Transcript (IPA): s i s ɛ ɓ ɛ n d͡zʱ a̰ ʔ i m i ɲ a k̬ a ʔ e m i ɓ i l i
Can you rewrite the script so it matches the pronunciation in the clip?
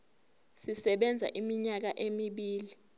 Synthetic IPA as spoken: s i s ɛ ɓ ɛ n d͡zʱ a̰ ʔ i m i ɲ a k̬ a ʔ e m i ɓ iː l i